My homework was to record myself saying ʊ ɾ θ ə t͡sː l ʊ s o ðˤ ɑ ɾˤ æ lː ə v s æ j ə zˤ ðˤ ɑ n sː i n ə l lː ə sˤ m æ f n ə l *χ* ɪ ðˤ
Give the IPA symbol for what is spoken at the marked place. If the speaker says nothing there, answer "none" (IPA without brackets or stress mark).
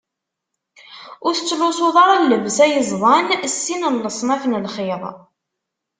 χ